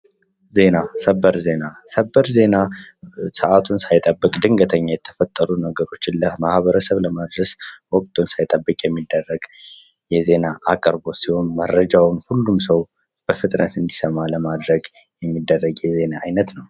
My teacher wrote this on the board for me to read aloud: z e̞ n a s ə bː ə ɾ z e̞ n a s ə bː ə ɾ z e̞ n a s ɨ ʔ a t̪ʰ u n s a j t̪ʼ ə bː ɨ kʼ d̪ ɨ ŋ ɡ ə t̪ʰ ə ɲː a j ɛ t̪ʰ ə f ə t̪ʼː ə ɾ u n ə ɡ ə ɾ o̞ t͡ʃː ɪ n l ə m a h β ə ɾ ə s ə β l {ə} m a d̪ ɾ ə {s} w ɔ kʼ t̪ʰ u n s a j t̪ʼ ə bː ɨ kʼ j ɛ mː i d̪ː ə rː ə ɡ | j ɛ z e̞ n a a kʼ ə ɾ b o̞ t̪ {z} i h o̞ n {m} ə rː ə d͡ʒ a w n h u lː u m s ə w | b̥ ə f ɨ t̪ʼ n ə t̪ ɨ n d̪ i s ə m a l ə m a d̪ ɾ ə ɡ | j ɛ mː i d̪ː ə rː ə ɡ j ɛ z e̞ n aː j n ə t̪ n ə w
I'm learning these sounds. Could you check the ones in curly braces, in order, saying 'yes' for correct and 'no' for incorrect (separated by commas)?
yes, yes, no, yes